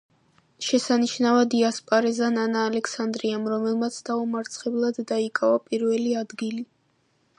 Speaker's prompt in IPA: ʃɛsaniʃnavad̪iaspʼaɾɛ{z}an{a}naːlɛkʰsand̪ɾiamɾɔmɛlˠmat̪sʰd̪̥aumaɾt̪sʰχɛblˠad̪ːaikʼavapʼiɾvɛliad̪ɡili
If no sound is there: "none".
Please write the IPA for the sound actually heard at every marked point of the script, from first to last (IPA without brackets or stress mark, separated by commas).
z, a